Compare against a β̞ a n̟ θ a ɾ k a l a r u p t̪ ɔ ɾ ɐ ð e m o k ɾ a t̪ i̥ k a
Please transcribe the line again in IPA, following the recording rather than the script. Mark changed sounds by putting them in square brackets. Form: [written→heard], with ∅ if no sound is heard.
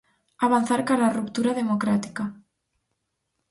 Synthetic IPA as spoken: a β̞ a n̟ θ a ɾ k a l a r u p t̪ [ɔ→u] ɾ [ɐ→a] ð e m o k ɾ a t̪ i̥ k a

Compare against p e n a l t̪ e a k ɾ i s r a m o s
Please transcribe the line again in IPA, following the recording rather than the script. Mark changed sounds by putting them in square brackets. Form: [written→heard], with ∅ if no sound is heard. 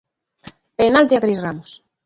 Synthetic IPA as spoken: p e n a l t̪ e a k ɾ i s r a m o s

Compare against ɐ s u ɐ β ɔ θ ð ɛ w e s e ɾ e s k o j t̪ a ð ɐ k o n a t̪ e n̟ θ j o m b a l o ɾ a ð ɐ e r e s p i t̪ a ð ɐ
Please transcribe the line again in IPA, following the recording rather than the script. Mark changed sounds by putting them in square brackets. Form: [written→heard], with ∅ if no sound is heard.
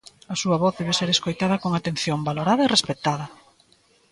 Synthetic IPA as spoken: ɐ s u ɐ β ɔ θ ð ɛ [w→β] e s e ɾ e s k o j t̪ a ð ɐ k o [n→ŋ] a t̪ e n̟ θ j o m b a l o ɾ a ð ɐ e r e s p [i→e] t̪ a ð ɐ

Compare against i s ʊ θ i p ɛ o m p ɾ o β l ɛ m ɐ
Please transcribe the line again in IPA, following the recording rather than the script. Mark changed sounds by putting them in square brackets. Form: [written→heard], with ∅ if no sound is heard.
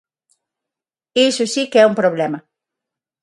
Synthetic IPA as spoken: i s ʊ [θ→s] i [p→k] ɛ [o→u] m p ɾ o β l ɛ m ɐ

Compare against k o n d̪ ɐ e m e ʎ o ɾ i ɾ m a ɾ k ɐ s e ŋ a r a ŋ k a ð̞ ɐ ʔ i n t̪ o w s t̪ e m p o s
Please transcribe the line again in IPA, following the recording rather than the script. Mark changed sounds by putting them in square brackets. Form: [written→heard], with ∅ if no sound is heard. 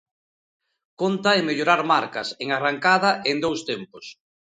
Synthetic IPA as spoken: k o n [d̪→t̪] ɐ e m e ʎ o ɾ [i→a] ɾ m a ɾ k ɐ s e ŋ a r a ŋ k a ð̞ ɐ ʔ [i→e] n [t̪→d̪] o w s t̪ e m p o s

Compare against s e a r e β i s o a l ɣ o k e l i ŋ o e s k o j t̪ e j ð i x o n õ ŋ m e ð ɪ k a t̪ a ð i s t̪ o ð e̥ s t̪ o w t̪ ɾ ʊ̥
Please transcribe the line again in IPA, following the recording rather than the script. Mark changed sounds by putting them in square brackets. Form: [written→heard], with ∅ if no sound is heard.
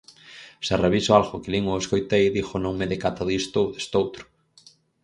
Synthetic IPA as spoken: s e a r e β i s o a l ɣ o k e l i ŋ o e s k o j t̪ e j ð i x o n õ ŋ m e ð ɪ k a t̪ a ð i s t̪ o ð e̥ s t̪ o w t̪ ɾ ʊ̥

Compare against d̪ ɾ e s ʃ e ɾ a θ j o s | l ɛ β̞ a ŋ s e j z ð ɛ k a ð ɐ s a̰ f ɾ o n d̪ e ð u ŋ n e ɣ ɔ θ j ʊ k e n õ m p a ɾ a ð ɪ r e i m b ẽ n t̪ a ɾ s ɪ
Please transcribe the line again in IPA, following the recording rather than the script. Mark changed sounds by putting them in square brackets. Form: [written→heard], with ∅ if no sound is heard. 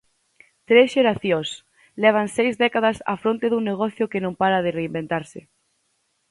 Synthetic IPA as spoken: [d̪→t̪] ɾ e s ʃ e ɾ a θ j o s | l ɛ β̞ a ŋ s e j z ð ɛ k a ð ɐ s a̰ f ɾ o n [d̪→t̪] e ð u ŋ n e ɣ ɔ θ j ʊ k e n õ m p a ɾ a ð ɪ r e i m b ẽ n t̪ a ɾ s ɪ

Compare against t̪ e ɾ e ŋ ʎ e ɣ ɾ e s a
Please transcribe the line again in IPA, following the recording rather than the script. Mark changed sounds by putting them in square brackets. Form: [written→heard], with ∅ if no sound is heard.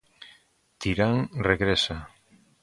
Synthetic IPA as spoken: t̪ [e→i] ɾ [e→a] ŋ [ʎ→r] e ɣ ɾ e s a

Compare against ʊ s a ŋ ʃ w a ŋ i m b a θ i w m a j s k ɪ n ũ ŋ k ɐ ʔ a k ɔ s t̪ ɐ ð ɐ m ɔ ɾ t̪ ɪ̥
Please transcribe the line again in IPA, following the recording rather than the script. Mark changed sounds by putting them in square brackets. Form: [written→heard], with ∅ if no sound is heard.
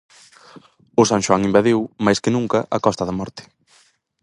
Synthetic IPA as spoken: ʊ s a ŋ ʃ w a ŋ i m b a [θ→ð] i w m a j s k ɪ n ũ ŋ k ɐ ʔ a k ɔ s t̪ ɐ ð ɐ m ɔ ɾ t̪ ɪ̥

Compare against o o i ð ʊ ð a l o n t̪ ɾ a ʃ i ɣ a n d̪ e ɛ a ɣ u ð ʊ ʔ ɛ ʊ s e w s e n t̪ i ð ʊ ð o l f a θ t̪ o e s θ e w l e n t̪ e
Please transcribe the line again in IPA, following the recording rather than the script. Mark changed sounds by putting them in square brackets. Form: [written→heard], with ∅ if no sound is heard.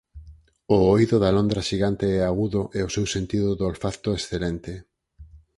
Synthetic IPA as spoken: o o i ð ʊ ð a l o n [t̪→d̪] ɾ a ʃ i ɣ a n [d̪→t̪] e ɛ a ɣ u ð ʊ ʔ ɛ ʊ s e w s e n t̪ i ð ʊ ð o l f a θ t̪ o e s θ e [w→∅] l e n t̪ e

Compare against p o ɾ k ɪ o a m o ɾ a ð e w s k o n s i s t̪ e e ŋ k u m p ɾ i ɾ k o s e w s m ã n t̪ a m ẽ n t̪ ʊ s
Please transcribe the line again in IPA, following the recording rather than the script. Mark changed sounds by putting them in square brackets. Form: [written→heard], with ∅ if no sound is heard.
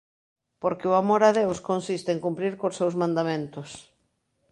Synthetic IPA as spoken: p o ɾ k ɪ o a m o ɾ a ð e w s k o n s i s t̪ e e ŋ k u m p ɾ i ɾ k o s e w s m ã n [t̪→d̪] a m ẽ n t̪ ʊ s

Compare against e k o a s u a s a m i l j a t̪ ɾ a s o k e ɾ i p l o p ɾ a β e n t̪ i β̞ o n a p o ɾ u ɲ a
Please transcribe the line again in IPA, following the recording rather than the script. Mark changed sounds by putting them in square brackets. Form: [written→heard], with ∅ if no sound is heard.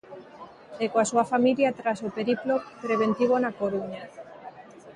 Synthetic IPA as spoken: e k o a s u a [s→f] a m i l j a t̪ ɾ a s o [k→p] e ɾ i p l o p ɾ [a→e] β e n t̪ i β̞ o n a [p→k] o ɾ u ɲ a

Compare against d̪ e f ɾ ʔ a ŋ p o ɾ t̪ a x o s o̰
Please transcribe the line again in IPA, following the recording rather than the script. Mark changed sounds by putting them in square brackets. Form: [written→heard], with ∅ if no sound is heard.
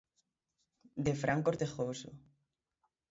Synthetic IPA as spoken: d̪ e f ɾ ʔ a ŋ [p→k] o ɾ t̪ [a→e] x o s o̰

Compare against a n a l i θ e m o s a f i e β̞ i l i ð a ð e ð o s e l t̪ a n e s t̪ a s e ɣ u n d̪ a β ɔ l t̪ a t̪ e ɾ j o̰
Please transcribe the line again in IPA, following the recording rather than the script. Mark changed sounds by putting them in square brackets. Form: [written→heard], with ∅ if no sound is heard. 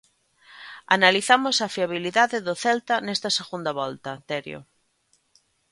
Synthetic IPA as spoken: a n a l i θ [e→a] m o s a f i [e→a] β̞ i l i ð a ð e ð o [s→θ] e l t̪ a n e s t̪ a s e ɣ u n d̪ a β ɔ l t̪ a t̪ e ɾ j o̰

